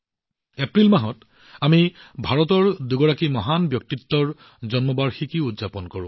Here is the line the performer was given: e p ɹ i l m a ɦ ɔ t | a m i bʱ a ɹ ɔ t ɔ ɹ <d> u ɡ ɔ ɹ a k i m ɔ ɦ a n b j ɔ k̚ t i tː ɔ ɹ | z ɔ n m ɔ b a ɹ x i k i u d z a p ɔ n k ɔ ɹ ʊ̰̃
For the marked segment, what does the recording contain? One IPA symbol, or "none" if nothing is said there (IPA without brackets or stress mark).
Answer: d